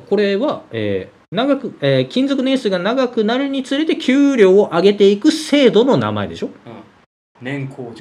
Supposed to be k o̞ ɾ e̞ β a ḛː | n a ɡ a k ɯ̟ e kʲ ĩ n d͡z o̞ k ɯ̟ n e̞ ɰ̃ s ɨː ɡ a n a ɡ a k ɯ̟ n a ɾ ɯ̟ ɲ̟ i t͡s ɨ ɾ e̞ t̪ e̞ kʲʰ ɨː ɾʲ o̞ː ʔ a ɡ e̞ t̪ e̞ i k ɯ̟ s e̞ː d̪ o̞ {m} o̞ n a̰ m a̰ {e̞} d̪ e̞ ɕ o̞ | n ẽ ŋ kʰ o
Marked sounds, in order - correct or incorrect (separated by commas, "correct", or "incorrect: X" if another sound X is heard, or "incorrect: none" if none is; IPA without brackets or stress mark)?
incorrect: n, correct